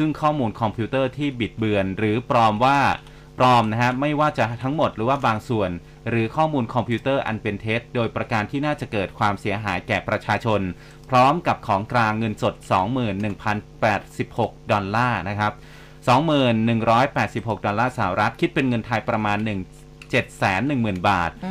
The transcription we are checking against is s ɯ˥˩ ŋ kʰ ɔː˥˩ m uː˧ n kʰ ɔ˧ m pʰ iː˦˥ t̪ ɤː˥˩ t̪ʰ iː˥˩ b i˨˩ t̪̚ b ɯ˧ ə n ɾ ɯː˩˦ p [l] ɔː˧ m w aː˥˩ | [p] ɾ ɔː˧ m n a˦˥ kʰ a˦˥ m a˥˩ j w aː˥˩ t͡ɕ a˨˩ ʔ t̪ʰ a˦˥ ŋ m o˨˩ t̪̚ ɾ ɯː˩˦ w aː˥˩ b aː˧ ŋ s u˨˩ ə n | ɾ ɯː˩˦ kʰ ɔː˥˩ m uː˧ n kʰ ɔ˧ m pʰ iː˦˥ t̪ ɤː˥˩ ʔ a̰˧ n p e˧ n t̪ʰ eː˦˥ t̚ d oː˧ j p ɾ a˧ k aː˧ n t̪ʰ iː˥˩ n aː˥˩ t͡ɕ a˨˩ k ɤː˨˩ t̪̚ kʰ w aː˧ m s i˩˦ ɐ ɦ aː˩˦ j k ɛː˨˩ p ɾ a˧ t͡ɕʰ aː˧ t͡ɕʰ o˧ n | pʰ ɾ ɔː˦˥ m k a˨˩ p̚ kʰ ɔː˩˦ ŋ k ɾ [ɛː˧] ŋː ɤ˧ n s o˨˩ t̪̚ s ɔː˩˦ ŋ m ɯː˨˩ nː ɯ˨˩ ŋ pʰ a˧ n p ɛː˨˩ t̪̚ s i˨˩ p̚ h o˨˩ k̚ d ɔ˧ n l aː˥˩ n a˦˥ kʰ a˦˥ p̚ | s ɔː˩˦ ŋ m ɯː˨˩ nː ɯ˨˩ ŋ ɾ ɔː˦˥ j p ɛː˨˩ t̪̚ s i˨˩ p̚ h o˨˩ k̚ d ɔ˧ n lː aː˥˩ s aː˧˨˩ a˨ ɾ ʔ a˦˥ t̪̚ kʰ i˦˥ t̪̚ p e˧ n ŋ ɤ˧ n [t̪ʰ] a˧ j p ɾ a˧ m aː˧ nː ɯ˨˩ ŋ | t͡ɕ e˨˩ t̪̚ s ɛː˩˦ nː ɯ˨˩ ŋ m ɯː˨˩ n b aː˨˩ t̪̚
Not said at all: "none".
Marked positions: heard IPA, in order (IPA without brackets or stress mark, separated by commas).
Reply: ɾ, p, aː˧, t̪ʰ